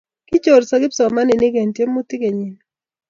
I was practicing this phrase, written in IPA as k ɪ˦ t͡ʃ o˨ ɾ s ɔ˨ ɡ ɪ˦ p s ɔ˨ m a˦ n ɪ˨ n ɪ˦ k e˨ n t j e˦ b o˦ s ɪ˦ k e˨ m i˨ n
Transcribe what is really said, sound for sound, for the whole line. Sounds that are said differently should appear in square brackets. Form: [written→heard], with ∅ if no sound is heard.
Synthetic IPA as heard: k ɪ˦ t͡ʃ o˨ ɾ s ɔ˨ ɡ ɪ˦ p s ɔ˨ m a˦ n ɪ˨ n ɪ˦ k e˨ n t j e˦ [b→m] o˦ [s→t] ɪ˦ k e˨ [m→ɲ] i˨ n